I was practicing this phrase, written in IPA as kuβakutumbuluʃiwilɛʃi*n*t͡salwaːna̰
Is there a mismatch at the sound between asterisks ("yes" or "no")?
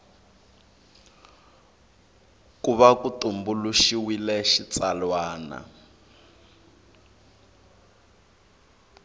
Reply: yes